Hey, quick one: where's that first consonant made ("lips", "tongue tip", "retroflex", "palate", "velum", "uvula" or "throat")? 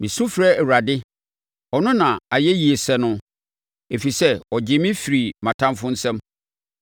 lips